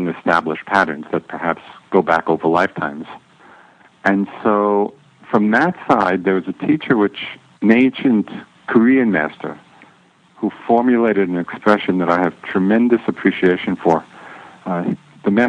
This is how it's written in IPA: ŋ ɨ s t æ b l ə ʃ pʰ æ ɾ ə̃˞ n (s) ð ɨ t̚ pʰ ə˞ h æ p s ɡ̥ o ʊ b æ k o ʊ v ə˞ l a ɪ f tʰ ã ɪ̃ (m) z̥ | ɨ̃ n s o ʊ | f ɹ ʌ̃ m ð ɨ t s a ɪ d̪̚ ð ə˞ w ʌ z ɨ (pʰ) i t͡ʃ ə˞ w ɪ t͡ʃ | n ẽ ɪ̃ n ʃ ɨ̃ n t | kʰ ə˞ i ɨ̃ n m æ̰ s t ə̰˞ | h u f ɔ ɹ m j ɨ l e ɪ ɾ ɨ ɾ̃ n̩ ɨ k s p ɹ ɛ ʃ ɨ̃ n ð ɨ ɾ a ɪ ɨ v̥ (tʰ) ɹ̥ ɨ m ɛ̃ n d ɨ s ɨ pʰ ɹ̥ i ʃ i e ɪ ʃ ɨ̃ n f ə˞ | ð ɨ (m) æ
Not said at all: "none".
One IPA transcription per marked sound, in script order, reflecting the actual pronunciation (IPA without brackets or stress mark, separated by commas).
z, m, tʰ, tʰ, m